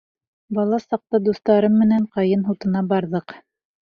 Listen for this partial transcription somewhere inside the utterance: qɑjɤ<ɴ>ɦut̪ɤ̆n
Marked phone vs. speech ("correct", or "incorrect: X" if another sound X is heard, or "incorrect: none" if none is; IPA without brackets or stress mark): incorrect: n